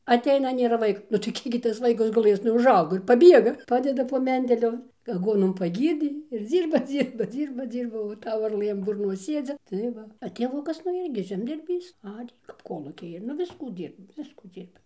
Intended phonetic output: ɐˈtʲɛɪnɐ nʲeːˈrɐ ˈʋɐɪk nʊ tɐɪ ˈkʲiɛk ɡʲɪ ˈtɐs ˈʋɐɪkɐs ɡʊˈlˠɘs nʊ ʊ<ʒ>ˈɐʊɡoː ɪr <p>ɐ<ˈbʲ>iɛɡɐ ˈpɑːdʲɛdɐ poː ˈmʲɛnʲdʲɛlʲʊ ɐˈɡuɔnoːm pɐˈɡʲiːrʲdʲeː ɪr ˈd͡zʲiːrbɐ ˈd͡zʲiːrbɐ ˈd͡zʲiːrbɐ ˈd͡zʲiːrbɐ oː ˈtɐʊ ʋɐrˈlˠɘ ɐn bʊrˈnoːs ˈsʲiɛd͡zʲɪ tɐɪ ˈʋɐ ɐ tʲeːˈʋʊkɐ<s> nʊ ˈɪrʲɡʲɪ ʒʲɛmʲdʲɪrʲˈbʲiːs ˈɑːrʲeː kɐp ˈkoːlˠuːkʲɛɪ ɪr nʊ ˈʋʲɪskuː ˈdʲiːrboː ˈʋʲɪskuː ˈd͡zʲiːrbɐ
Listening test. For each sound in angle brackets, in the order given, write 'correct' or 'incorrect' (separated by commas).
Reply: correct, correct, correct, correct